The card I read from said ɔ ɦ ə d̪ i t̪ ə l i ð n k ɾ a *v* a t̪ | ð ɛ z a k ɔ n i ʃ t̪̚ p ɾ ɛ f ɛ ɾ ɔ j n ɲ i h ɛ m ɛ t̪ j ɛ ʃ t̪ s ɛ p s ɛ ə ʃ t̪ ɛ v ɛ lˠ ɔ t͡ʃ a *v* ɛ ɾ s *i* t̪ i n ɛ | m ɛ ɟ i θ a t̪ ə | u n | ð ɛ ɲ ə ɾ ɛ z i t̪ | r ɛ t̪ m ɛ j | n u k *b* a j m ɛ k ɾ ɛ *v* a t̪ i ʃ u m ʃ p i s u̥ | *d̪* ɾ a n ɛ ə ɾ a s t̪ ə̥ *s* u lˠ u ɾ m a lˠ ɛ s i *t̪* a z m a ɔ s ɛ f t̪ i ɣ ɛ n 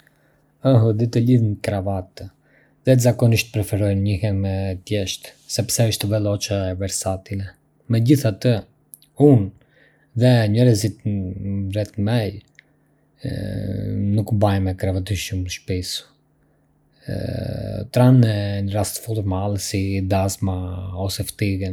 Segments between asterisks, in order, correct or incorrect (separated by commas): correct, correct, incorrect, correct, correct, incorrect, incorrect, incorrect